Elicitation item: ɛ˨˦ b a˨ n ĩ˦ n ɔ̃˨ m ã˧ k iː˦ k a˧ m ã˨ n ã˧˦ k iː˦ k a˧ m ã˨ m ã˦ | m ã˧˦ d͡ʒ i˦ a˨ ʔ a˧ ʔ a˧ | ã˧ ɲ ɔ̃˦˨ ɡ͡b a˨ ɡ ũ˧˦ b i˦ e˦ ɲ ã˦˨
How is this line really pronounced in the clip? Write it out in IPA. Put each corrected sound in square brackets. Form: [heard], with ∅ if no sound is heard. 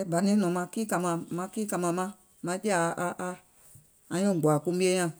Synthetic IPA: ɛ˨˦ b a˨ n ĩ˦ n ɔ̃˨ m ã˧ k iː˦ k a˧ m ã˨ [m] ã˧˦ k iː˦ k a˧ m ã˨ m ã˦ | m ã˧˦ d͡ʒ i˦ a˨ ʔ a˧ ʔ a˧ | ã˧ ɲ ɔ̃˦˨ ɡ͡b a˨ [k] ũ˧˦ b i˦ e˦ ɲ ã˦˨